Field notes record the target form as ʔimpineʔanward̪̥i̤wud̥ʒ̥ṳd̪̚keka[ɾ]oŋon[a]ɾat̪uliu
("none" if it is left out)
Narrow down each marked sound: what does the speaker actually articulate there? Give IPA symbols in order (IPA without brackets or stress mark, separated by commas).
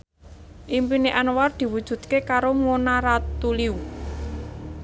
ɾ, a